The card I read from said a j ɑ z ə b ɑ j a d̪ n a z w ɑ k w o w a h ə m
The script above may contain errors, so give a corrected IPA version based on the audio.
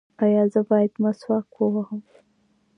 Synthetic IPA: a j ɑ z ə b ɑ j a d̪ m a s w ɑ k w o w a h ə m